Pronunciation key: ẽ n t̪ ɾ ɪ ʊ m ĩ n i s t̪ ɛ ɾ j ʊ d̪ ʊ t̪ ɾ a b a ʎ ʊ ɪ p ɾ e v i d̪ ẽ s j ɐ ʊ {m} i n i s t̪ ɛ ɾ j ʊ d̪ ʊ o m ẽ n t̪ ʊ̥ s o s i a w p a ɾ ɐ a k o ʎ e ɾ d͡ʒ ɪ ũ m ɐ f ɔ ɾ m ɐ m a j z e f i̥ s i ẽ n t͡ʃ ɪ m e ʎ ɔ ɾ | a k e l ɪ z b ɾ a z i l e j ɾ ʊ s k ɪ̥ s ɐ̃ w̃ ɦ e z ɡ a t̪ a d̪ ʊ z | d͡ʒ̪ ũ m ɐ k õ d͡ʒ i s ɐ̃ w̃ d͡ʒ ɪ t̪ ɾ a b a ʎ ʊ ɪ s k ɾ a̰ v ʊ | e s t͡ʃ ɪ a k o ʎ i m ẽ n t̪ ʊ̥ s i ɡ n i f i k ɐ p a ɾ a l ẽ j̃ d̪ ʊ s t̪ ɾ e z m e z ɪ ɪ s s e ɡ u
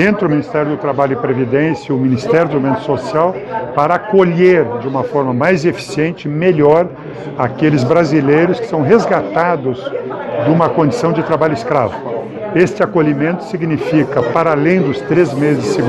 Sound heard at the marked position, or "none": m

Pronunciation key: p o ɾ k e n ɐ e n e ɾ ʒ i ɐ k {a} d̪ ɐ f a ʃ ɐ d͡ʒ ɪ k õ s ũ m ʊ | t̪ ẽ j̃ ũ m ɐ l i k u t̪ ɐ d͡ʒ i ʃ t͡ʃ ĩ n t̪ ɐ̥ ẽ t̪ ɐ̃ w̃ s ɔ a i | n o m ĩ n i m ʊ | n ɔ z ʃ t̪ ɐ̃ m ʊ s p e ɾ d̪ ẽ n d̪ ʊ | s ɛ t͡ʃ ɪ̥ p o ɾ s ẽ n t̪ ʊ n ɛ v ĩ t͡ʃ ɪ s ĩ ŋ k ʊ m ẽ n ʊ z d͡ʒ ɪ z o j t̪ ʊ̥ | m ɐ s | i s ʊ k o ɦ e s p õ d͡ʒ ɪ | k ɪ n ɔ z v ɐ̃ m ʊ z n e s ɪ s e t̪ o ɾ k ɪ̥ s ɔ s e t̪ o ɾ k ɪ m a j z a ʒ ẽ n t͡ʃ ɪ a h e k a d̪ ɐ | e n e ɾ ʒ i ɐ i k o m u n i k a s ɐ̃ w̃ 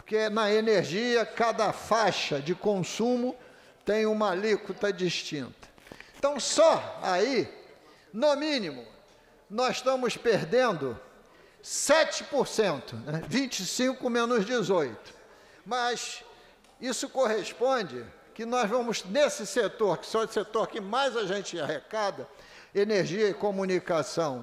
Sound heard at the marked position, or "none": a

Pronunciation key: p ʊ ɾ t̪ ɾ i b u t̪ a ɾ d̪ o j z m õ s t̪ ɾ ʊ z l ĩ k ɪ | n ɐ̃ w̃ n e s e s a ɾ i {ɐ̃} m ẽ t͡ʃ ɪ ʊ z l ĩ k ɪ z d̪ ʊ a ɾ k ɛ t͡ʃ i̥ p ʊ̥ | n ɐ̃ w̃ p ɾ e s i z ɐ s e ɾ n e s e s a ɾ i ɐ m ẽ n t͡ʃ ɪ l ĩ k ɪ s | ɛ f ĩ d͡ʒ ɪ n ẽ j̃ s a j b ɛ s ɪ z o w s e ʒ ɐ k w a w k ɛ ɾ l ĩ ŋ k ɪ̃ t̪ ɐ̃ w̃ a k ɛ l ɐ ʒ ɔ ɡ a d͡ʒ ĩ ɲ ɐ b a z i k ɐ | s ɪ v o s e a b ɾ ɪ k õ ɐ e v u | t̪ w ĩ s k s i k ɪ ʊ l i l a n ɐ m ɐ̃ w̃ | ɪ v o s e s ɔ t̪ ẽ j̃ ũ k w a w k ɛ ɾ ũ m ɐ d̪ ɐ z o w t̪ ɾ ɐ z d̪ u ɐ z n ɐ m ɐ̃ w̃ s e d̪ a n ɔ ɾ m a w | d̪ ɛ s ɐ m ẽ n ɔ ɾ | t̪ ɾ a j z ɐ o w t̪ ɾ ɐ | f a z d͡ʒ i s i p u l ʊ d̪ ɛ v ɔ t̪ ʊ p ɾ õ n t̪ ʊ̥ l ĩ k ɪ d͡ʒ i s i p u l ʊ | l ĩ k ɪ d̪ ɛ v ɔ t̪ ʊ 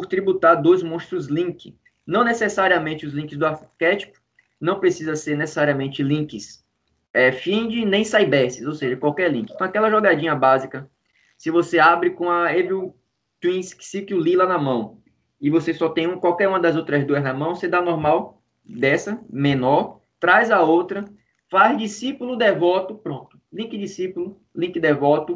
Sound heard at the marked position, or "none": ɐ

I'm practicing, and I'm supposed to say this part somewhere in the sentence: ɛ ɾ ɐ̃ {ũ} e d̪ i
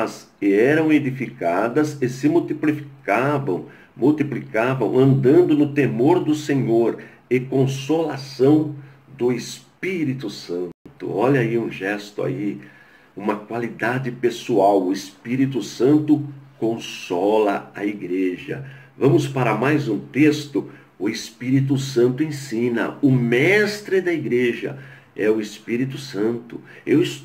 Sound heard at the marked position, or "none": w̃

